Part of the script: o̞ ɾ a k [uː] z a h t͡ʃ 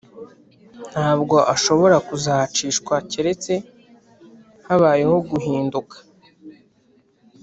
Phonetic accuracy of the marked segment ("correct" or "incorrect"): incorrect